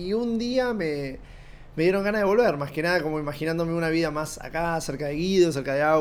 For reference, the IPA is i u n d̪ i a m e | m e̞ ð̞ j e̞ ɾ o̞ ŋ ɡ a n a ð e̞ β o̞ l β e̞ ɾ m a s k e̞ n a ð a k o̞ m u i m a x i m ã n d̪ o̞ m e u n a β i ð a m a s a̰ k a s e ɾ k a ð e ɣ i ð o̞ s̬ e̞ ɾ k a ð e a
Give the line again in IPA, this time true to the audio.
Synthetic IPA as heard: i u n d̪ i a m e | m e̞ ð̞ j e̞ ɾ o̞ ŋ ɡ a n a ð e̞ β o̞ l β e̞ ɾ m a s k e̞ n a ð a k o̞ m o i m a x i n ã n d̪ o̞ m e u n a β i ð a m a s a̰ k a s e ɾ k a ð e ɣ i ð o̞ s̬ e̞ ɾ k a ð e a